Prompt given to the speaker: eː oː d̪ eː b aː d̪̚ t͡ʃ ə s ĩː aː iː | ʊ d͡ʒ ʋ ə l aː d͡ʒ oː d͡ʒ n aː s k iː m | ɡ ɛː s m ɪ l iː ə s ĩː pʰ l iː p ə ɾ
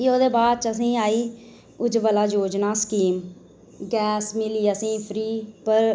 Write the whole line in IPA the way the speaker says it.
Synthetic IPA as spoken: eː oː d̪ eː b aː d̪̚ t͡ʃ ə s ĩː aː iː | ʊ d͡ʒ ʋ ə l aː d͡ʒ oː d͡ʒ n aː s k iː m | ɡ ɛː s m ɪ l iː ə s ĩː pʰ ɾ iː p ə ɾ